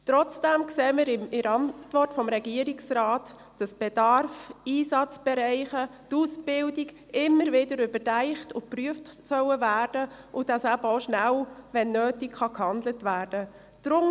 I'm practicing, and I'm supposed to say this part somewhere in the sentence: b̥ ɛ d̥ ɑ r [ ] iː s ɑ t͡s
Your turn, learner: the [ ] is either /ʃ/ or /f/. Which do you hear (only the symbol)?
f